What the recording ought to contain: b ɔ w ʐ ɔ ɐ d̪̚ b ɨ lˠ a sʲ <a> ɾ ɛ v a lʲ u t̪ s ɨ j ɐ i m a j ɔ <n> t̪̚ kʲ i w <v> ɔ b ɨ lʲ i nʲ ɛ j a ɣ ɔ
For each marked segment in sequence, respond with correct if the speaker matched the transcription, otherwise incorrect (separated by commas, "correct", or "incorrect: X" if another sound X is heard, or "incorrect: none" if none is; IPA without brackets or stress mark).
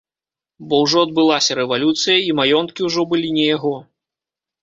incorrect: ɐ, correct, incorrect: ʐ